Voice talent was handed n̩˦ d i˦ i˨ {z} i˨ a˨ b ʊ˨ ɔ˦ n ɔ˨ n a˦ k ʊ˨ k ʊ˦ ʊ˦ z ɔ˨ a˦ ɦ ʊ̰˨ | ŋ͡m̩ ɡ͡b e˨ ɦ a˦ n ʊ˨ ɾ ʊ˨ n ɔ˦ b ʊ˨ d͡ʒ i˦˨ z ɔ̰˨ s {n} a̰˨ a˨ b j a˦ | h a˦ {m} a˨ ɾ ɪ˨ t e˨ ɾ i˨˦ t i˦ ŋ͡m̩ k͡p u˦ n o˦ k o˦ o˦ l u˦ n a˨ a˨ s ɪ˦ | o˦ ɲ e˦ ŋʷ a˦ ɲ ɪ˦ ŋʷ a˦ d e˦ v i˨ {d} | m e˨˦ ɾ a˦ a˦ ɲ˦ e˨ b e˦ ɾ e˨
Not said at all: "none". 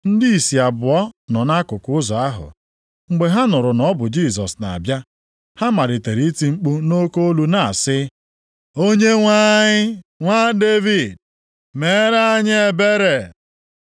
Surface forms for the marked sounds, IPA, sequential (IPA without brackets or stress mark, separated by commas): s, n, m, d